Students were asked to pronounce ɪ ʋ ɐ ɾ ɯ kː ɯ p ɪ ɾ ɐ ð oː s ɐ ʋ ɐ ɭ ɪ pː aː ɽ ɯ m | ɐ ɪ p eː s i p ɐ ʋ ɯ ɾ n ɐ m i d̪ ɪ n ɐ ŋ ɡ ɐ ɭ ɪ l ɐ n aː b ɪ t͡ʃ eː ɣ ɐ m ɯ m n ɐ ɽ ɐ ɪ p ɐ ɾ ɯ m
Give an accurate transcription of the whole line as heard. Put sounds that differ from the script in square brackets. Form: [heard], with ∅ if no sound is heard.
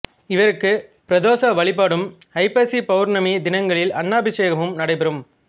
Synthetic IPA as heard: ɪ ʋ ɐ ɾ ɯ kː ɯ p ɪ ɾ ɐ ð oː s ɐ ʋ ɐ ɭ ɪ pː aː ɽ ɯ m | ɐ ɪ p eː s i p ɐ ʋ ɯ ɾ n ɐ m i d̪ ɪ n ɐ ŋ ɡ ɐ ɭ ɪ l ɐ [nː] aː b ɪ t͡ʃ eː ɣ ɐ m ɯ m n ɐ ɽ ɐ ɪ p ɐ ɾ ɯ m